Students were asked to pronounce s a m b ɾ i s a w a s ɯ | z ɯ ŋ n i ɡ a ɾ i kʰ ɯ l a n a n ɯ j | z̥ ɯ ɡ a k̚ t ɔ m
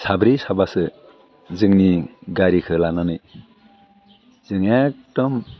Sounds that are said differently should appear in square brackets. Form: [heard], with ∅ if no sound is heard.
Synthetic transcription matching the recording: s a [∅] b ɾ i s a [b] a s ɯ | z ɯ ŋ n i ɡ a ɾ i kʰ ɯ l a n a n ɯ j | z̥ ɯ [ŋ] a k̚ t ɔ m